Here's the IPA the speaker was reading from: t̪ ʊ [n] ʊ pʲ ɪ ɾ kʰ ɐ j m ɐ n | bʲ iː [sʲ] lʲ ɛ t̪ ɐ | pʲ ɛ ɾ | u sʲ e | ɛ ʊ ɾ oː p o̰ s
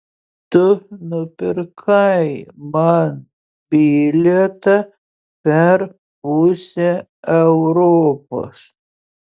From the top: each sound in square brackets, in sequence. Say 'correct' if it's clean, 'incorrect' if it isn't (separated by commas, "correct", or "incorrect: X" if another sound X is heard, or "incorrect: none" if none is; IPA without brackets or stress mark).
correct, incorrect: none